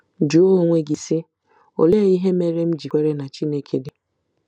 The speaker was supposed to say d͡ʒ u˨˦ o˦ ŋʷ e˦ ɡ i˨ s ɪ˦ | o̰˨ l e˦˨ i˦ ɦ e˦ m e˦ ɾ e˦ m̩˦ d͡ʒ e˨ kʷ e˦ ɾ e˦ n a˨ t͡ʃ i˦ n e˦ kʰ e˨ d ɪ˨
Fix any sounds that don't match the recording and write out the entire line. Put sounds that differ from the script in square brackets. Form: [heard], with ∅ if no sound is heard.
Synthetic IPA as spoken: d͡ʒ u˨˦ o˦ ŋʷ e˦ ɡ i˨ s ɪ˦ | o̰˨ l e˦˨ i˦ ɦ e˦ m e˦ ɾ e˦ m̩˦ d͡ʒ [i˨] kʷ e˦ ɾ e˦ n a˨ t͡ʃ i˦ n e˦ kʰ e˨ d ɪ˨

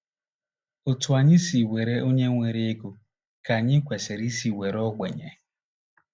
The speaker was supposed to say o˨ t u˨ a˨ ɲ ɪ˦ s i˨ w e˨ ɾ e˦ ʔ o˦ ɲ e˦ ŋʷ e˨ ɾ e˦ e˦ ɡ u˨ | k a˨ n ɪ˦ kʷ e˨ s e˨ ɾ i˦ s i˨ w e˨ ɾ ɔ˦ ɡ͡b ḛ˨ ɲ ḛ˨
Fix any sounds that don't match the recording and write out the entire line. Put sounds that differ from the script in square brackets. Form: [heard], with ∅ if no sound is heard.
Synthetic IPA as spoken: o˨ t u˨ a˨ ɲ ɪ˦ s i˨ w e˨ ɾ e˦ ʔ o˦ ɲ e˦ ŋʷ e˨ ɾ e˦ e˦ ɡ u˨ | k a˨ [ɲ] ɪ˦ kʷ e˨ s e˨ ɾ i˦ s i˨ w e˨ ɾ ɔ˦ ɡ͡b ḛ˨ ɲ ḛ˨

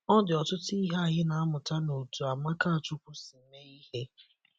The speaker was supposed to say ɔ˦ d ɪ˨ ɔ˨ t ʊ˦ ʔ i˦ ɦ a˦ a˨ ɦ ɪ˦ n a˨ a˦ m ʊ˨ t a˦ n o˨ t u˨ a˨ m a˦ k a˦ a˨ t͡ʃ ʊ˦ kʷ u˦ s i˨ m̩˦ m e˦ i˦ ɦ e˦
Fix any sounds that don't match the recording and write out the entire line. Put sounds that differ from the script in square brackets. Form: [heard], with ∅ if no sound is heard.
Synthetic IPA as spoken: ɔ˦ d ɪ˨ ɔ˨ t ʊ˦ [t] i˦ ɦ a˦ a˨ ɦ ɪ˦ n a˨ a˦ m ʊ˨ t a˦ n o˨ t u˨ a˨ m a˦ k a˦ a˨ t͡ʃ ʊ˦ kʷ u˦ s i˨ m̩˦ m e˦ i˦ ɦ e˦

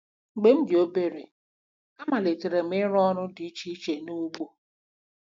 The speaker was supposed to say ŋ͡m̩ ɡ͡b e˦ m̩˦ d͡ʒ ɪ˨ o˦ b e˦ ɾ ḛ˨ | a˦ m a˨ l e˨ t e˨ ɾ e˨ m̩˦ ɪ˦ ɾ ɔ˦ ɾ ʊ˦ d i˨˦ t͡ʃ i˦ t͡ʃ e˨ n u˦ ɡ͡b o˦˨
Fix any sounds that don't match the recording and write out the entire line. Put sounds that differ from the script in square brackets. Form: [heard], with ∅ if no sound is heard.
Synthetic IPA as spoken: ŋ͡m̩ ɡ͡b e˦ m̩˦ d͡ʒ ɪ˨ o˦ b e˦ ɾ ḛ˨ | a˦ m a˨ l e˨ t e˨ ɾ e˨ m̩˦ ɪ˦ ɾ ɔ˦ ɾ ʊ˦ d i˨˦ t͡ʃ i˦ t͡ʃ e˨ n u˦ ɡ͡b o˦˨

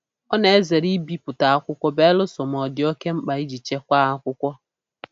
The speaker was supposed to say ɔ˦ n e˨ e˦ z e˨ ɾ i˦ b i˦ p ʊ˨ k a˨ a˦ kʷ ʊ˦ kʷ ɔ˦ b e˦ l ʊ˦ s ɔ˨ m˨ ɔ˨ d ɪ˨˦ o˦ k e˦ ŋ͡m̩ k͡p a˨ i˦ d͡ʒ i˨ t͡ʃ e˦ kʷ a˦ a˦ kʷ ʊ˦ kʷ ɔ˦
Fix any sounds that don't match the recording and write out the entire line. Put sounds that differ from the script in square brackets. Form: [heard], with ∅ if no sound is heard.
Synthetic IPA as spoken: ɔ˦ n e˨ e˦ z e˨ ɾ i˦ b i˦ p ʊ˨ [t] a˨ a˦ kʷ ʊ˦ kʷ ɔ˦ b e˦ l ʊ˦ s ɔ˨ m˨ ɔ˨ d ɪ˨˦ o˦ k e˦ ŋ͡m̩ k͡p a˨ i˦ d͡ʒ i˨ t͡ʃ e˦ kʷ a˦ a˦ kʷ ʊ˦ kʷ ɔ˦

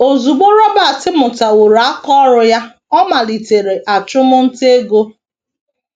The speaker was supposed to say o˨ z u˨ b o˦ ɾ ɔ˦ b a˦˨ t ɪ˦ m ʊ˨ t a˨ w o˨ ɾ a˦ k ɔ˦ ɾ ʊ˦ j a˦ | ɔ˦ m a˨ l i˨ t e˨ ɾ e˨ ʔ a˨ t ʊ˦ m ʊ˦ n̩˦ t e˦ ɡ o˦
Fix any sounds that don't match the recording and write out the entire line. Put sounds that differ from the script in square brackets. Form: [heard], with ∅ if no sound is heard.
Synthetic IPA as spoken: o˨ z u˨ [ɡ͡b] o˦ ɾ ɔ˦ b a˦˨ t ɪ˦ m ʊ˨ t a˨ w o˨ ɾ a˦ k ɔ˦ ɾ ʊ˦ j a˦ | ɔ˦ m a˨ l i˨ t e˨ ɾ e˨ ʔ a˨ [t͡ʃ] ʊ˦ m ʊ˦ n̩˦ t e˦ ɡ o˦

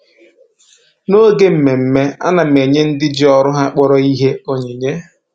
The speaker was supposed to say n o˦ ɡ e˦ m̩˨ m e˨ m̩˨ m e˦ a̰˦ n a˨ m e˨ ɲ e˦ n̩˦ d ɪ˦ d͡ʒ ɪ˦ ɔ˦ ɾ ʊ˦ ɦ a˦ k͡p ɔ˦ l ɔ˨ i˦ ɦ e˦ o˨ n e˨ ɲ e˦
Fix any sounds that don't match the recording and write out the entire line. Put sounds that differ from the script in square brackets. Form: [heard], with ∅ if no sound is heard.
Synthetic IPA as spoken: n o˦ ɡ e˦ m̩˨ m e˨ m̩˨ m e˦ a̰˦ n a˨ m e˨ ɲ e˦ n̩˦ d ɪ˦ d͡ʒ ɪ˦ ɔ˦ ɾ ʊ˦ ɦ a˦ k͡p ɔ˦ [ɾ] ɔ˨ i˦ ɦ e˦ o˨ [ɲ] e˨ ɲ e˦

